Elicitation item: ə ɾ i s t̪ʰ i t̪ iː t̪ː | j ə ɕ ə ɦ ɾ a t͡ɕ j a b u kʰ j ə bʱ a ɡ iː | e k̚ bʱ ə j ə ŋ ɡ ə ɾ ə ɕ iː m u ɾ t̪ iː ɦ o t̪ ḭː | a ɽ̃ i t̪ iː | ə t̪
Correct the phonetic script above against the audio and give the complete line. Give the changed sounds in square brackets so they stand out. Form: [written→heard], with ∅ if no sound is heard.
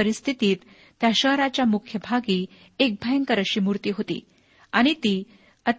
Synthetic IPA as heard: ə ɾ i s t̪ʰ i t̪ iː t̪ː | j [ə→a] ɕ ə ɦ ɾ a t͡ɕ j a [b→m] u kʰ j ə bʱ a ɡ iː | e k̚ bʱ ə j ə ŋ [ɡ→k] ə ɾ ə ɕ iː m u ɾ t̪ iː ɦ o t̪ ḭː | a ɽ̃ i t̪ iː | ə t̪